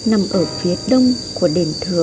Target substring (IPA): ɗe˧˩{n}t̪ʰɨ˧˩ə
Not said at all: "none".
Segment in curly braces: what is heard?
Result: n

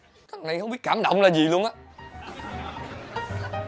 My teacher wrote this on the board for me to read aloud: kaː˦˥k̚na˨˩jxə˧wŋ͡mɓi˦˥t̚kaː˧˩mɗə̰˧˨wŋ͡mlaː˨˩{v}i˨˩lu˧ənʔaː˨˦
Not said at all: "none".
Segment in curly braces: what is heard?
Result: z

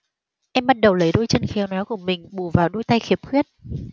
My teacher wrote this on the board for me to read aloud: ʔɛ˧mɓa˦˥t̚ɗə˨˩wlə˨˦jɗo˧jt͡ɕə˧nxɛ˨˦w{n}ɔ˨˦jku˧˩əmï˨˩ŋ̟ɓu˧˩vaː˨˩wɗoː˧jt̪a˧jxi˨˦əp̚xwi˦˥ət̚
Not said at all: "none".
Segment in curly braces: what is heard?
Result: n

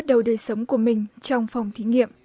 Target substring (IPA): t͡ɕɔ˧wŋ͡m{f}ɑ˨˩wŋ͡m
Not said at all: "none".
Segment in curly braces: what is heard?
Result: f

